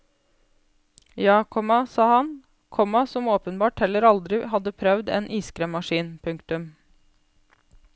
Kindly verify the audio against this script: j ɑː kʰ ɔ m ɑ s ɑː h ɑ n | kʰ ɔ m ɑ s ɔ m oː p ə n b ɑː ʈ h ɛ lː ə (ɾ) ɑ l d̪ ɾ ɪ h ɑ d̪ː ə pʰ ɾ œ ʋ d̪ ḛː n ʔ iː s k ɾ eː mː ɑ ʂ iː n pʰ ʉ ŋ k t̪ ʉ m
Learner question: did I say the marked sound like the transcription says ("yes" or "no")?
yes